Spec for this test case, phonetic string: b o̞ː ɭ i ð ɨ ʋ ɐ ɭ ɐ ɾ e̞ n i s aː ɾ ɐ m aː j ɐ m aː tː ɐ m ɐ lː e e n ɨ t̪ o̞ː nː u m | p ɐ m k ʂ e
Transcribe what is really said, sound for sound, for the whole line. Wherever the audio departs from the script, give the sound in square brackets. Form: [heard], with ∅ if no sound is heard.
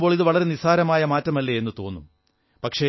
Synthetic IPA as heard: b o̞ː ɭ i ð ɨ ʋ ɐ ɭ ɐ ɾ e̞ n i s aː ɾ ɐ m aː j ɐ m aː tː ɐ m ɐ lː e e [nː] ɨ t̪ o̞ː nː u m | p ɐ [∅] k ʂ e